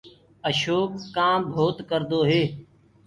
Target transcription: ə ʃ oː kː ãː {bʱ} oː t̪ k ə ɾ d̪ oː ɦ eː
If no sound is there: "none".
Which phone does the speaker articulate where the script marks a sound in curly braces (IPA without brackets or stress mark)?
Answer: bʱ